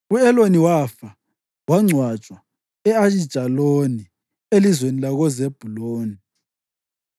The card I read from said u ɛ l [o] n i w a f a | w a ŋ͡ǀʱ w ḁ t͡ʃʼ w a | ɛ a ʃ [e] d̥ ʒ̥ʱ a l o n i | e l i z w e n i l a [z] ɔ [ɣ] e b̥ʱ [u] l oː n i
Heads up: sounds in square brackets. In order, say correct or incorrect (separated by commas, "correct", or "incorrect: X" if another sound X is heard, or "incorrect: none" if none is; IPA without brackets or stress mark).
correct, incorrect: i, incorrect: ɣ, incorrect: z, correct